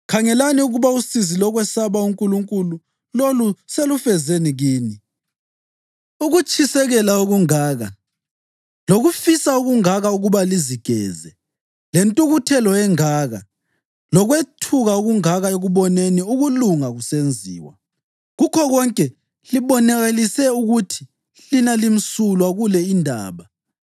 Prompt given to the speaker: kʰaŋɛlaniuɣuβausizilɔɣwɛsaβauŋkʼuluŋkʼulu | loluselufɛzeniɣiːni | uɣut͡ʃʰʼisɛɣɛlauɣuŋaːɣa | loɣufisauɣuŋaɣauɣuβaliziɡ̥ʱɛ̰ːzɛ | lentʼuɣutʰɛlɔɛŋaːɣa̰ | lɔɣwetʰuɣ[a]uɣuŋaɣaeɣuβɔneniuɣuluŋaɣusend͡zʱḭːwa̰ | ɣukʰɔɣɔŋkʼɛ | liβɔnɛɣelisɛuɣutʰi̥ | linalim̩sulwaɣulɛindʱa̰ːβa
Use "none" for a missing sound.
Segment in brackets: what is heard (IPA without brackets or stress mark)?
a